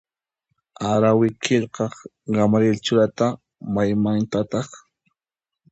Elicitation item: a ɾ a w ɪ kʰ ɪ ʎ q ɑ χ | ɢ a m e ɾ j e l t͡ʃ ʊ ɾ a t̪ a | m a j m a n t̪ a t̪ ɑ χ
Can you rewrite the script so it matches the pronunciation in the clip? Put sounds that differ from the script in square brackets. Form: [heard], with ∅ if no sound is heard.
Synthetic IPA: a ɾ a w ɪ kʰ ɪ ʎ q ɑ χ | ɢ a m [a] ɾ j e l t͡ʃ ʊ ɾ a t̪ a | m a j m a n t̪ a t̪ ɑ χ